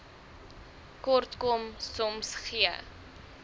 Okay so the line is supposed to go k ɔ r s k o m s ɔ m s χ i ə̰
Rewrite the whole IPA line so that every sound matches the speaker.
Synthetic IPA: k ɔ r t k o m s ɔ m s χ i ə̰